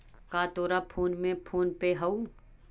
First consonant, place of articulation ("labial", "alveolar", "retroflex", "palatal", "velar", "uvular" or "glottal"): velar